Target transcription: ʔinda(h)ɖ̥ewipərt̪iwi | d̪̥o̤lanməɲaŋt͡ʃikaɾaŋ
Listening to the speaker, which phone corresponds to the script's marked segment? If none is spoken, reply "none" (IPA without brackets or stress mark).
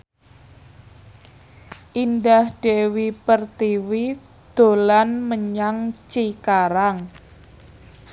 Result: h